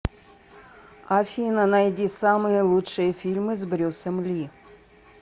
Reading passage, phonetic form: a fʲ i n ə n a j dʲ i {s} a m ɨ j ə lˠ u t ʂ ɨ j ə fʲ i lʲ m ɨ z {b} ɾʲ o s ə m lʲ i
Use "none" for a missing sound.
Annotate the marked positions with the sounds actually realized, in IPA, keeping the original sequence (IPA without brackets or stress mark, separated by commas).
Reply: s, b